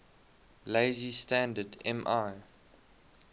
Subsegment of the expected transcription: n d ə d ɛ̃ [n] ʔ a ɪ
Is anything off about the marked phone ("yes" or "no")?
yes